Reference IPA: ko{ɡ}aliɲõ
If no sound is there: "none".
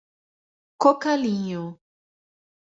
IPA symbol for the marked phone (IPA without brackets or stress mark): k